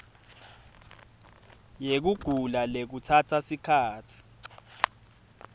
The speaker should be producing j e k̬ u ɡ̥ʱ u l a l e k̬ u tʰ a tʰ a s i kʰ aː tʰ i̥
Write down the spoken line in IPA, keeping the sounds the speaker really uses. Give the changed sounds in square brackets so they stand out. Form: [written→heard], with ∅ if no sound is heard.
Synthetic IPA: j e k̬ u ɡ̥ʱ u l a l e k̬ u tʰ a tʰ a s i kʰ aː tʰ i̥